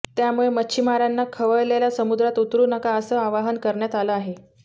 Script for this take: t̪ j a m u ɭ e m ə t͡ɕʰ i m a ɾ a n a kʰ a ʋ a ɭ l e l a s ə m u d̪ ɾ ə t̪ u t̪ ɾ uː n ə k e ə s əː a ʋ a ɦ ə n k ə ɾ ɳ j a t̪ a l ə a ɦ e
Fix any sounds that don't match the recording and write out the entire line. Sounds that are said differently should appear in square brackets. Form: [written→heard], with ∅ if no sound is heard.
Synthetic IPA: t̪ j a m u ɭ e m ə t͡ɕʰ i m a ɾ a [n→nː] a kʰ [a→ə] ʋ [a→ə] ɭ l e l a s ə m u d̪ ɾ [ə→a] t̪ u t̪ ɾ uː n ə k [e→a] ə s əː a ʋ a ɦ ə n k ə ɾ ɳ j a t̪ a l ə a ɦ e